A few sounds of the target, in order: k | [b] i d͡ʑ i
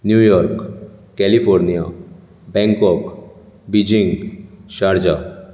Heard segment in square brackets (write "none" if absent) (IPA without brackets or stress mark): b